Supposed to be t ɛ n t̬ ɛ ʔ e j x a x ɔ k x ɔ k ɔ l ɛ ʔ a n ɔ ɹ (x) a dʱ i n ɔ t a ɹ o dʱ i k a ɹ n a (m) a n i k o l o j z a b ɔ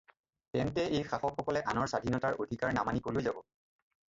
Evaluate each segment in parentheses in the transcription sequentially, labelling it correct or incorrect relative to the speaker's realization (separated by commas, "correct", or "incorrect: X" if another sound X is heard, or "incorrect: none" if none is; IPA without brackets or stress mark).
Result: incorrect: s, correct